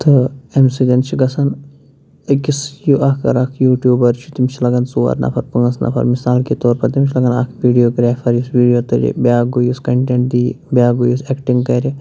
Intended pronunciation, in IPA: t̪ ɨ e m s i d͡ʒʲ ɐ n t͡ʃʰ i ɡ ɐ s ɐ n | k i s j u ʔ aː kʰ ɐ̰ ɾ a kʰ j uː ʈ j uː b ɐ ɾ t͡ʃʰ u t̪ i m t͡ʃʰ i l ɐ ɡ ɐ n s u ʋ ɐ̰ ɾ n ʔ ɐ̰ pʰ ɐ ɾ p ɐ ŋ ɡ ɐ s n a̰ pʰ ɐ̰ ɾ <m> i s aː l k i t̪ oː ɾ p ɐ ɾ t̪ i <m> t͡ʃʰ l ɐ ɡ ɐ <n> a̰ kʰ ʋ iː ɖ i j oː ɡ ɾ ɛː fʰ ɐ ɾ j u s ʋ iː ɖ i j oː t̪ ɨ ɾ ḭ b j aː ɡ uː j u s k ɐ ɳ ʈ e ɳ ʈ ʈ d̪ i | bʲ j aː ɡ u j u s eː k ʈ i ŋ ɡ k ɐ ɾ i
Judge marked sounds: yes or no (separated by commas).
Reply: yes, yes, yes